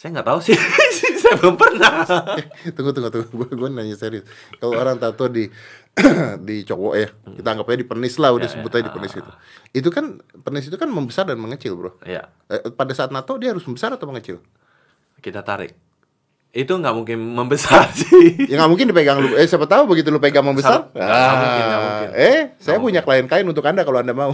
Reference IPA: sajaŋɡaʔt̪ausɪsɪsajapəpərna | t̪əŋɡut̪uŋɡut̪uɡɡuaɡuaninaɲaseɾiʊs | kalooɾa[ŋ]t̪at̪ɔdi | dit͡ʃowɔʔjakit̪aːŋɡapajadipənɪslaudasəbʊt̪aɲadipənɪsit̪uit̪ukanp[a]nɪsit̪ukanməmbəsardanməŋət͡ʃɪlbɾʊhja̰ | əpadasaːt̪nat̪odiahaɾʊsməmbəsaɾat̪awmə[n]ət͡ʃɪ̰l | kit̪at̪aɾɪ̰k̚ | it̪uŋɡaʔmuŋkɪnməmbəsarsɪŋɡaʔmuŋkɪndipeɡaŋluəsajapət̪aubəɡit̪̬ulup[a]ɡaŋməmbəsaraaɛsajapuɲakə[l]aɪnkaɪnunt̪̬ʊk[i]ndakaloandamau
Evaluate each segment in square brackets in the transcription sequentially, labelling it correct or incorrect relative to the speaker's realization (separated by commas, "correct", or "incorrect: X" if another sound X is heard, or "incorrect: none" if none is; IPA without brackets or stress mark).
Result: correct, incorrect: ə, incorrect: ŋ, incorrect: e, correct, incorrect: a